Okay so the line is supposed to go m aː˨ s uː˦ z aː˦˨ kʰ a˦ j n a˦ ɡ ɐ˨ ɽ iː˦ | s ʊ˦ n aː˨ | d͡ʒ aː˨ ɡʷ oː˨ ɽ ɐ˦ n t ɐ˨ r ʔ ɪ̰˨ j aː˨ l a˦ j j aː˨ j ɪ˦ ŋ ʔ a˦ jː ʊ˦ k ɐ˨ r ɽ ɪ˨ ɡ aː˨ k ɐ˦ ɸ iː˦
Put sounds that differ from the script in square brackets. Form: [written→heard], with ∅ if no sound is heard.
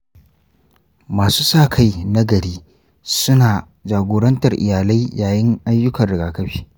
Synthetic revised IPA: m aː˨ s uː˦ [z→s] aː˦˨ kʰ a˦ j n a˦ ɡ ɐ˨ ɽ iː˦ | s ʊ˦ n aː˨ | d͡ʒ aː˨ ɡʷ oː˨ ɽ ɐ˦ n t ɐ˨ r ʔ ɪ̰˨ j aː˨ l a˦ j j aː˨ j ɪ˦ ŋ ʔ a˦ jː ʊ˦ k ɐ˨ r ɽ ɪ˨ ɡ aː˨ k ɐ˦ ɸ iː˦